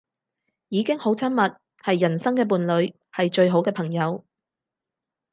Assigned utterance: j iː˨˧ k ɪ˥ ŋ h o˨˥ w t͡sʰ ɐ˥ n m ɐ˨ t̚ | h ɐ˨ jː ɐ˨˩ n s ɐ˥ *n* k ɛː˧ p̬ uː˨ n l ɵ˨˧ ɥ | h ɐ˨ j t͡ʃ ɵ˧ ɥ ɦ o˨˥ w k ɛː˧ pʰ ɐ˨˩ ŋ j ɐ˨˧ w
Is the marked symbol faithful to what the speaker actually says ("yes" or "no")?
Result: no